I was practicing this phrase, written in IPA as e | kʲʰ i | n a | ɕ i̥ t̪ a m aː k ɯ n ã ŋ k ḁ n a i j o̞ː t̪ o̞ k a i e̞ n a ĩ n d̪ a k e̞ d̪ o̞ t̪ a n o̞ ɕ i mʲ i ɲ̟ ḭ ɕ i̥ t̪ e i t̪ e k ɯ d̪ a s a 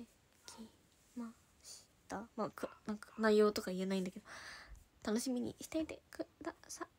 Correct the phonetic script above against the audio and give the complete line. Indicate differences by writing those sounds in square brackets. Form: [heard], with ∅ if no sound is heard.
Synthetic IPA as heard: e | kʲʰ i | [m] a | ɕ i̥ t̪ a m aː k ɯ n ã ŋ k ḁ n a i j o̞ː t̪ o̞ k a i e̞ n a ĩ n d̪ a k e̞ d̪ o̞ t̪ a n o̞ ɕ i mʲ i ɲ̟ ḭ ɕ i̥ t̪ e i t̪ e k ɯ d̪ a s a